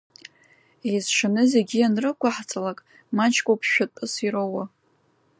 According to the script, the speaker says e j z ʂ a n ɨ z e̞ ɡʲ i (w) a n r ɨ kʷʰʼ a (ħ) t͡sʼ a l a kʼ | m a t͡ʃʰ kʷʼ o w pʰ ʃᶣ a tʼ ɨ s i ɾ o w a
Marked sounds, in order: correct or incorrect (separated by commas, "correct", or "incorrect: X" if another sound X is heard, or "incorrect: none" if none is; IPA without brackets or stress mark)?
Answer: incorrect: none, correct